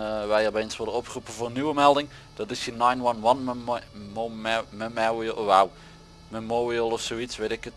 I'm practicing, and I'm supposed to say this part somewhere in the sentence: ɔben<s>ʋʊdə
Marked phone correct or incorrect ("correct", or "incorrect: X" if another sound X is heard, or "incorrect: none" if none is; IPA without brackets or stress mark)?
correct